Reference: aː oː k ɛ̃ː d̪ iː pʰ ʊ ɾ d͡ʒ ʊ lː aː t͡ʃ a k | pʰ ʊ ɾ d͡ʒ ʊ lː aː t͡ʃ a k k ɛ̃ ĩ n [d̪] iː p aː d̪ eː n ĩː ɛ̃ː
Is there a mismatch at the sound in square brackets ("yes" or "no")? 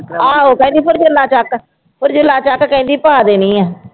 no